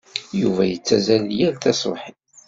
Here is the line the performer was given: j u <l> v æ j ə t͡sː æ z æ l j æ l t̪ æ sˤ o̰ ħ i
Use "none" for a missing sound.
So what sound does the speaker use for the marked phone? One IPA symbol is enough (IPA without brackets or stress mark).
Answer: none